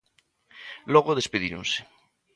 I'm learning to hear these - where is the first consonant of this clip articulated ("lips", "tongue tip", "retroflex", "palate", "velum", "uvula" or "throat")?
tongue tip